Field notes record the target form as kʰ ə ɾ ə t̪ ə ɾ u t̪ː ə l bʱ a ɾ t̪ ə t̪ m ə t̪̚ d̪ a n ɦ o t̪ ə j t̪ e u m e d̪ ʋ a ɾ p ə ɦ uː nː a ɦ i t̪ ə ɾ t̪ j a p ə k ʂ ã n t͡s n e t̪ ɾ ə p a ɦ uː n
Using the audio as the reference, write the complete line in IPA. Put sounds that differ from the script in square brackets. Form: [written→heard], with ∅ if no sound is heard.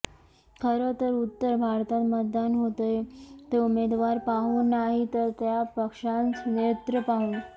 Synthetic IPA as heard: kʰ ə ɾ ə t̪ ə ɾ u t̪ː ə [l→ɾ] bʱ a ɾ t̪ [ə→a] t̪ m ə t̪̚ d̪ a n ɦ o t̪ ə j t̪ e u m e d̪ ʋ a ɾ p [ə→a] ɦ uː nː a ɦ i t̪ ə ɾ t̪ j a p ə k ʂ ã n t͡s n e t̪ ɾ ə p a ɦ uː n